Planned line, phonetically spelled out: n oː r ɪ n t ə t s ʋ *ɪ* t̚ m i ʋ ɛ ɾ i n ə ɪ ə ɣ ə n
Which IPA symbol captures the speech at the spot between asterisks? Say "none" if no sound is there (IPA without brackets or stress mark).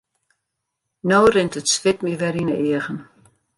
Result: ɪ